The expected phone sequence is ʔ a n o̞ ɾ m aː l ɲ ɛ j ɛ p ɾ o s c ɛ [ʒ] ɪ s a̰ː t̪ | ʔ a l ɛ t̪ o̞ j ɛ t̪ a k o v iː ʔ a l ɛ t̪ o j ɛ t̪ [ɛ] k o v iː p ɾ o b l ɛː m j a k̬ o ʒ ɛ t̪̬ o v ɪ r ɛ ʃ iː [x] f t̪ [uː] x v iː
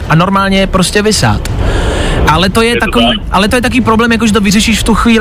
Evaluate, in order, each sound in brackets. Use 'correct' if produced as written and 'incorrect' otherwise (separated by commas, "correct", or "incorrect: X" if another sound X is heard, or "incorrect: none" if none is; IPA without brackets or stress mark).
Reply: incorrect: v, incorrect: a, incorrect: ʃ, incorrect: u